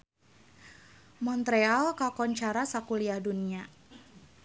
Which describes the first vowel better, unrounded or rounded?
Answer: rounded